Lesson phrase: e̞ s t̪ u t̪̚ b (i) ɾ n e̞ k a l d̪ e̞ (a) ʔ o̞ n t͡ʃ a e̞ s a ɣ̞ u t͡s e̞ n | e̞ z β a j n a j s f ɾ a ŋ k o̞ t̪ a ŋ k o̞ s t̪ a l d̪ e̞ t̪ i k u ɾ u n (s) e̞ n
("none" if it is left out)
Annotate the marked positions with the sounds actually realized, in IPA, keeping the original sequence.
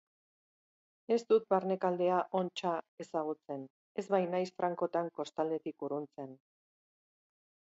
a, a, t͡s

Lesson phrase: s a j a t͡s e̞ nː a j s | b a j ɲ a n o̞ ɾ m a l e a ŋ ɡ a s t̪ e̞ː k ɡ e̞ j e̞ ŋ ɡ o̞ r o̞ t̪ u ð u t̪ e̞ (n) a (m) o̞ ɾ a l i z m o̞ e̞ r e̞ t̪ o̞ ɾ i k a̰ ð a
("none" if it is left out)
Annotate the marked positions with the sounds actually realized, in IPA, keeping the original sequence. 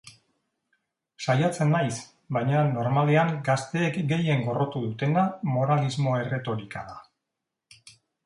n, m

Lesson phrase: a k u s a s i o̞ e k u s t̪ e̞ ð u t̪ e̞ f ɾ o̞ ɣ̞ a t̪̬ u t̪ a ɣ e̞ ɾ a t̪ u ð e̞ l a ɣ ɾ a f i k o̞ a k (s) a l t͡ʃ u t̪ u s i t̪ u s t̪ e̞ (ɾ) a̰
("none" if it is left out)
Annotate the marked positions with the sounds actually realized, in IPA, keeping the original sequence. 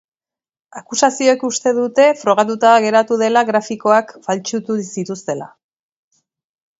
f, l

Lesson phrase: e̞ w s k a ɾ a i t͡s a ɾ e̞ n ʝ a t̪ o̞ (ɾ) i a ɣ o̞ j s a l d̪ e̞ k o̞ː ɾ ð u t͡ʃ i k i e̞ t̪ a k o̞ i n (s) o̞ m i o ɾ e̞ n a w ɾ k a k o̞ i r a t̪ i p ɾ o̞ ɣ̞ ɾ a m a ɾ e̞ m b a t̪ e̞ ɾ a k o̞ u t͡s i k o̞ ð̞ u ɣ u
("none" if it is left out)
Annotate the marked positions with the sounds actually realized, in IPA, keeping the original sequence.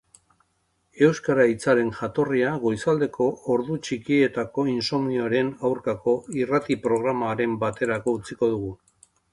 r, s

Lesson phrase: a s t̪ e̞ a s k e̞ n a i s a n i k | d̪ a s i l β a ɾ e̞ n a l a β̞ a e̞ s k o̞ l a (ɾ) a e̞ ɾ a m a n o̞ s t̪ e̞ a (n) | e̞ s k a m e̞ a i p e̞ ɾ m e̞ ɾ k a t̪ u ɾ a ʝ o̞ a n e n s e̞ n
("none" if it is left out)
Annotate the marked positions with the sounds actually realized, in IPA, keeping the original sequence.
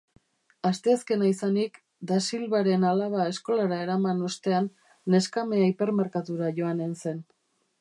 ɾ, nː

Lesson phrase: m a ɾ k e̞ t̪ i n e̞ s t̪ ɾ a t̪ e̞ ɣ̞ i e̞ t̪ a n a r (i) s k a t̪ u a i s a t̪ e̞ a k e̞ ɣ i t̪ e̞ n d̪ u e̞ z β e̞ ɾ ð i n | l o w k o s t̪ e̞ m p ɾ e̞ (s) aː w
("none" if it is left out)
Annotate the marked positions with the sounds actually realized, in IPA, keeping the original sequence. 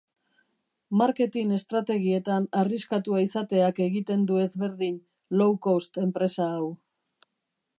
i, s

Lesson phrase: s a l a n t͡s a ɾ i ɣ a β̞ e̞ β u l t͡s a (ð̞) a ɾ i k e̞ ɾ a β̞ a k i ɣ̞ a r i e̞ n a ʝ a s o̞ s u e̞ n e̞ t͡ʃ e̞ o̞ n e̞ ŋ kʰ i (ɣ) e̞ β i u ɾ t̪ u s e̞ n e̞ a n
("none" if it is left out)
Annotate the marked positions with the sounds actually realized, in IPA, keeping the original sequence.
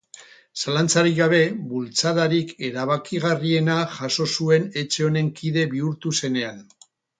ð̞, ð

